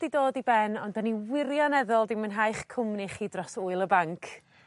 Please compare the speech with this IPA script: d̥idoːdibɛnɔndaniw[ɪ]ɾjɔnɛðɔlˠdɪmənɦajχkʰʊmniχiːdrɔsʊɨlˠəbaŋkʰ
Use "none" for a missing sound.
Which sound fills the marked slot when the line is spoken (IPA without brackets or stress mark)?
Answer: ɪ